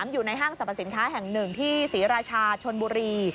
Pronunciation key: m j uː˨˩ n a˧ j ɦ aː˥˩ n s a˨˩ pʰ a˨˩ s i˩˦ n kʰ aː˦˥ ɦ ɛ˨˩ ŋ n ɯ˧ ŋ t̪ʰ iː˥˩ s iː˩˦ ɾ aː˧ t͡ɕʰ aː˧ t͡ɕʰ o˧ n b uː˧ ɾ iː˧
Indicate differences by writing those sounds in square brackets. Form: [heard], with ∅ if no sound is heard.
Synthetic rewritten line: m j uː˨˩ n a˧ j ɦ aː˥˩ [ŋ] s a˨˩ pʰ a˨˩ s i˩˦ n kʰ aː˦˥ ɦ ɛ˨˩ ŋ n [ɯ˨˩] ŋ t̪ʰ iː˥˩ s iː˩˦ ɾ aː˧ t͡ɕʰ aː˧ t͡ɕʰ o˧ n b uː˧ ɾ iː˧